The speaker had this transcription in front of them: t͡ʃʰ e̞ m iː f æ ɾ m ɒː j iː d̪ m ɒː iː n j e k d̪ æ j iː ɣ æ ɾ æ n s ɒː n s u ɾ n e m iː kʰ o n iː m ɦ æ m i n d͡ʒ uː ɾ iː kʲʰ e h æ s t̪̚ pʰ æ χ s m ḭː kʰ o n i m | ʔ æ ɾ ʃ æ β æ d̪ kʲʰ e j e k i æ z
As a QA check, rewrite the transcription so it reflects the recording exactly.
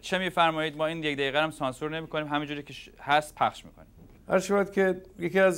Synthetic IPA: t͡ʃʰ e̞ m iː f æ ɾ m ɒː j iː d̪ m ɒː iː n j e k d̪ æ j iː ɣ æ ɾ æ m s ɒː n s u ɾ n e m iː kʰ o n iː m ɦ æ m i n d͡ʒ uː ɾ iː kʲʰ e h æ s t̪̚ pʰ æ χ ʃ m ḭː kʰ o n i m | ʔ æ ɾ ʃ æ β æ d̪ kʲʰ e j e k i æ z